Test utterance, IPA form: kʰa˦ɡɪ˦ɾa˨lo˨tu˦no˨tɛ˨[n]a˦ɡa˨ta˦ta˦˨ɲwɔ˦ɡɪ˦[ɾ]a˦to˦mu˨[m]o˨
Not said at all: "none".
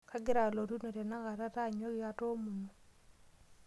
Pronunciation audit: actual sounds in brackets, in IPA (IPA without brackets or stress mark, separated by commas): n, none, n